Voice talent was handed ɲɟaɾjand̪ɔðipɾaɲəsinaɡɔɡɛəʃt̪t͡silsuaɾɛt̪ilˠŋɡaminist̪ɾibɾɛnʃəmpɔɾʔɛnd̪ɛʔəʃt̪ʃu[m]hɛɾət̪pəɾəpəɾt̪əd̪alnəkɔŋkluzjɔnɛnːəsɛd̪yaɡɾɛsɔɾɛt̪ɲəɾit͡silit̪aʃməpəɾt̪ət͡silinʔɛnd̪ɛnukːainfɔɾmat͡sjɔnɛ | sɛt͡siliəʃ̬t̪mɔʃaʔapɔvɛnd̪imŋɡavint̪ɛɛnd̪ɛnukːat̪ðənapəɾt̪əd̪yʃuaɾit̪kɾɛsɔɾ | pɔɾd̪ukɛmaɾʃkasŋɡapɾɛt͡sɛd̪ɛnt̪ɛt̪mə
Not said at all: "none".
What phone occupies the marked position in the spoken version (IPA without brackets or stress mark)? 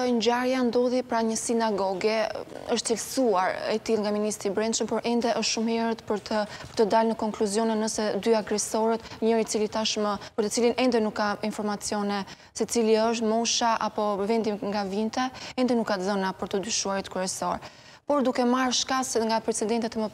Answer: m